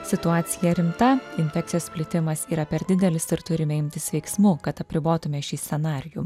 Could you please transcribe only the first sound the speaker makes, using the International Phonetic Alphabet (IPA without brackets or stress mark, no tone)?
sʲ